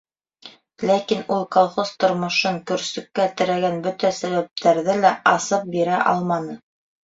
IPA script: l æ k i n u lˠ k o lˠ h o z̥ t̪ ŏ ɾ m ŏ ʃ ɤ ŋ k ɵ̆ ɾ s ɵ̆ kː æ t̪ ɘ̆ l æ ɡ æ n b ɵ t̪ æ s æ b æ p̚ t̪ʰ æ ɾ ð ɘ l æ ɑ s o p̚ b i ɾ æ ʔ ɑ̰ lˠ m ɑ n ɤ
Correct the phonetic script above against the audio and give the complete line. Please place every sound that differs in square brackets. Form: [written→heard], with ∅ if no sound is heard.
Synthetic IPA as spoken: l æ k i n u lˠ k o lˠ [h→χ] o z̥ t̪ ŏ ɾ m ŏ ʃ ɤ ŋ k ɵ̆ ɾ s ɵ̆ kː æ t̪ ɘ̆ [l→ɾ] æ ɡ æ n b ɵ t̪ æ s æ [b→β] æ p̚ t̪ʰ æ ɾ ð ɘ l æ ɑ s [o→ɤ] p̚ b i ɾ æ ʔ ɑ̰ lˠ m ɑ n ɤ